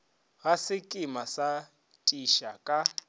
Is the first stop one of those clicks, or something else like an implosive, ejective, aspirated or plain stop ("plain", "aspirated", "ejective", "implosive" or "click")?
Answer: ejective